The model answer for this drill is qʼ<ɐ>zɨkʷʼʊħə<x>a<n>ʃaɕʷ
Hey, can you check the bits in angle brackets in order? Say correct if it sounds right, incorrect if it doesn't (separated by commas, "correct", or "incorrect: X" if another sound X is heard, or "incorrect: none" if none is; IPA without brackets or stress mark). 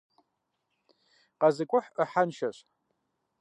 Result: incorrect: a, incorrect: ħ, correct